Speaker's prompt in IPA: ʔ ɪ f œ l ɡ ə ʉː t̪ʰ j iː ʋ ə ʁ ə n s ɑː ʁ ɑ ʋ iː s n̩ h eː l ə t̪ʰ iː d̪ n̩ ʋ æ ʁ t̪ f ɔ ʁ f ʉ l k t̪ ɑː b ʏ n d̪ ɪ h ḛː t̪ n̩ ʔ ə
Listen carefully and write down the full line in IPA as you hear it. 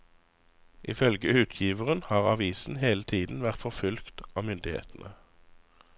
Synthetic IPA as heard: ʔ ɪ f œ l ɡ ə ʉː t̪ʰ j iː ʋ ə ʁ ə n h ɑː ʁ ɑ ʋ iː s n̩ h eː l ə t̪ʰ iː d̪ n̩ ʋ æ ʁ t̪ f ɔ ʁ f ʉ l k t̪ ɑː m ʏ n d̪ ɪ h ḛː t̪ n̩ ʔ ə